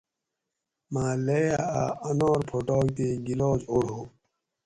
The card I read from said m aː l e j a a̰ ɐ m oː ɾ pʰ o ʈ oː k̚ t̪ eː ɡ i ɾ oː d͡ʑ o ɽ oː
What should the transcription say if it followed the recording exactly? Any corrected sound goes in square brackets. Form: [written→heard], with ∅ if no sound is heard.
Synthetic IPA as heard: m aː l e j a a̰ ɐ [m→n] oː ɾ pʰ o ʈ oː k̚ t̪ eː ɡ i [ɾ→l] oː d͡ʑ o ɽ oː

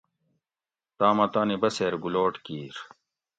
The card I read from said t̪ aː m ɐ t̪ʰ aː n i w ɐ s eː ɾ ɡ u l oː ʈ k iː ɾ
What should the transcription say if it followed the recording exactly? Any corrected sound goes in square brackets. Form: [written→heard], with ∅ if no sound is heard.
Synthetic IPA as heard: t̪ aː m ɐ [t̪ʰ→t̪] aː n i [w→b] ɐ s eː ɾ ɡ u l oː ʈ k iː ɾ

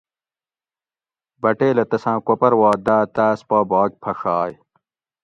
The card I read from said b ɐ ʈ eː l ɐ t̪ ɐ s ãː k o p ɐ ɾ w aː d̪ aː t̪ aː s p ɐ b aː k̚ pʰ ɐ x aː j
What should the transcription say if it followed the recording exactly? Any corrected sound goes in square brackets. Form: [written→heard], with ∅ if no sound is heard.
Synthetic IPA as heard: b ɐ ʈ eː l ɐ t̪ ɐ s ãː k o p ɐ ɾ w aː d̪ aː t̪ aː s p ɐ b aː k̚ pʰ ɐ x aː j

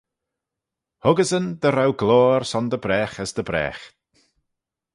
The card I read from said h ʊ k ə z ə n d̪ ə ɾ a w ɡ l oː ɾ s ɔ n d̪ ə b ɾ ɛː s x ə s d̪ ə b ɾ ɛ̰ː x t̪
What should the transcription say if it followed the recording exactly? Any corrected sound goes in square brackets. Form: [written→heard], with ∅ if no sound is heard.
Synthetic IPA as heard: h ʊ [k→ɡ] ə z ə n d̪ ə ɾ a w ɡ l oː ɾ s ɔ n d̪ ə b ɾ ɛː [s→∅] x ə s d̪ ə b ɾ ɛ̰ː x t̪

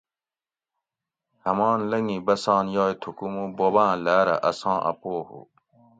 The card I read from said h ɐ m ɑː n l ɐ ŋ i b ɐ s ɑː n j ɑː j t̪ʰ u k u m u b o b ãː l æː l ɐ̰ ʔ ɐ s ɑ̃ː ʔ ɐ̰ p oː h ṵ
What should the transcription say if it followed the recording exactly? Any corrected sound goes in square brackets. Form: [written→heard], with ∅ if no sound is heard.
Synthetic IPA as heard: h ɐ m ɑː n l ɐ ŋ i b ɐ s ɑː n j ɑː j t̪ʰ u k u m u b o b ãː l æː [l→ɾ] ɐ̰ ʔ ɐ s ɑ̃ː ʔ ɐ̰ p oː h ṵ

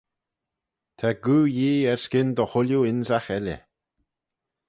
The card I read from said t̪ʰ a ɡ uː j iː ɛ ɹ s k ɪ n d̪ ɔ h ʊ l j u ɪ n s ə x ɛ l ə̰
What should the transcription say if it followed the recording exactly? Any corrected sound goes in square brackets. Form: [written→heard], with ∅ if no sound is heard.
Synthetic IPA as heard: t̪ʰ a ɡ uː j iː ɛ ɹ s k ɪ n d̪ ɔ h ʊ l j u ɪ n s [ə→a] x ɛ l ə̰

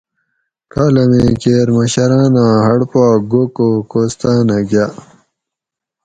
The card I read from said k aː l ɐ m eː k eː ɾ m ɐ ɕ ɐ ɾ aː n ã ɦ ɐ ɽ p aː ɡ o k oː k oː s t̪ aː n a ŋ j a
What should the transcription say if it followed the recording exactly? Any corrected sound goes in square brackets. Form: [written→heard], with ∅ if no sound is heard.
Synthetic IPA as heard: k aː l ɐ m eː k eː ɾ m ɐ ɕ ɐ ɾ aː n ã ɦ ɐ ɽ p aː ɡ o k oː k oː s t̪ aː n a [ŋ→ɡ] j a

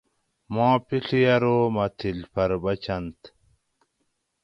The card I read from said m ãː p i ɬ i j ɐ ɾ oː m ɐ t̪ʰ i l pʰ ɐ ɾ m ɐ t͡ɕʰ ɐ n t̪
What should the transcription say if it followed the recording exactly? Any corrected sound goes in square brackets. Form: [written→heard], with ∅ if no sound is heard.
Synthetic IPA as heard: m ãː p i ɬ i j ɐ ɾ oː m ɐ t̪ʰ i l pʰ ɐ ɾ [m→b] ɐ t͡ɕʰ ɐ n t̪

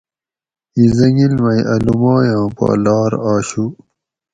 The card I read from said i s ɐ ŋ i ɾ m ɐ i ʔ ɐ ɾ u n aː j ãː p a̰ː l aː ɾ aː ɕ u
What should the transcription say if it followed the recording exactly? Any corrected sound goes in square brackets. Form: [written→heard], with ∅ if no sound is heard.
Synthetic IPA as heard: i [s→z] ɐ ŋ i [ɾ→l] m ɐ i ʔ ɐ [ɾ→l] u [n→m] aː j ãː p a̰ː l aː ɾ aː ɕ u

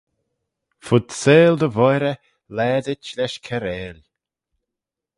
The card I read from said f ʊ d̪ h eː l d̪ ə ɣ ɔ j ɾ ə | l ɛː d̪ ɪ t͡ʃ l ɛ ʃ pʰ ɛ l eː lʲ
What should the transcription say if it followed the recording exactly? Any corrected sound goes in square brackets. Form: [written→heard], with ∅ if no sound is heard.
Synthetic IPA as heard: f ʊ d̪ [h→s] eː l d̪ ə [ɣ→v] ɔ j ɾ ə | l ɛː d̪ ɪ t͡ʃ l ɛ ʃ [pʰ→kʰ] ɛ [l→ɾ] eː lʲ

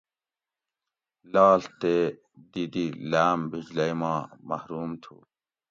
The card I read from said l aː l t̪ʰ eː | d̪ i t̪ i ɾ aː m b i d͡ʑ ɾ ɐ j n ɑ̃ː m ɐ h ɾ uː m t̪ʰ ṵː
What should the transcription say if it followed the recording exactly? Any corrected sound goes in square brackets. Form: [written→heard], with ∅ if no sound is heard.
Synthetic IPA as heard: l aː l [t̪ʰ→t̪] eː | d̪ i [t̪→d̪] i [ɾ→l] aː m b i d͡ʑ [ɾ→l] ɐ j [n→m] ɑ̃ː m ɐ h ɾ uː m t̪ʰ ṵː

